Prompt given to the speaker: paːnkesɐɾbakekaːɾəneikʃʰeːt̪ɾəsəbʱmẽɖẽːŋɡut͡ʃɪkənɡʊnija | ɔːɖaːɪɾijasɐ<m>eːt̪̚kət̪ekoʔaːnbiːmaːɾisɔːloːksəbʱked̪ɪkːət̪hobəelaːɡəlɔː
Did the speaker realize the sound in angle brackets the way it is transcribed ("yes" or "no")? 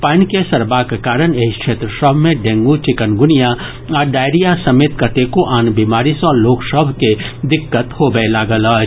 yes